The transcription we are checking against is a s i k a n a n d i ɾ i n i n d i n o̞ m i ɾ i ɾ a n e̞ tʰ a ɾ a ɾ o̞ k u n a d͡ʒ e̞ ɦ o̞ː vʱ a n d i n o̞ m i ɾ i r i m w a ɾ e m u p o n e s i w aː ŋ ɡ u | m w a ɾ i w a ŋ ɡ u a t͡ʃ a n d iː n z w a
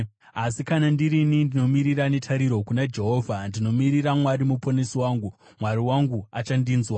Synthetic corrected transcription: a s i k a n a n d i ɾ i n i n d i n o̞ m i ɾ i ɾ a n e̞ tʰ a ɾ i ɾ o̞ k u n a d͡ʒ e̞ ɦ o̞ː vʱ a n d i n o̞ m i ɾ i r a m w a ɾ i m u p o n e s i w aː ŋ ɡ u | m w a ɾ i w a ŋ ɡ u a t͡ʃ a n d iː n z w a